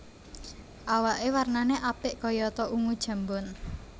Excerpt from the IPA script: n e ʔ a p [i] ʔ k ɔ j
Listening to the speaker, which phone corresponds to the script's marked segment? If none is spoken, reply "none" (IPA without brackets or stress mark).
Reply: ɪ